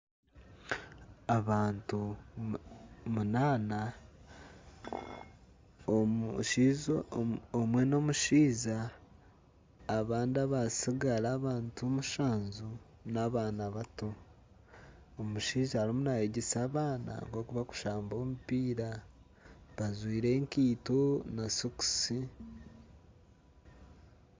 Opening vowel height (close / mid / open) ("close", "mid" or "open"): open